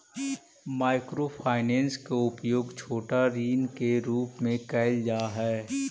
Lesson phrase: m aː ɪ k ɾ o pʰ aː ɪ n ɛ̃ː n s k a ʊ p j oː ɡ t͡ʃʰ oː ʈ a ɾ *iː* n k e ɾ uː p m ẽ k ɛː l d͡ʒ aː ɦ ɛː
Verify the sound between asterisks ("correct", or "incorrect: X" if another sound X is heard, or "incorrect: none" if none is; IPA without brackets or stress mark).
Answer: correct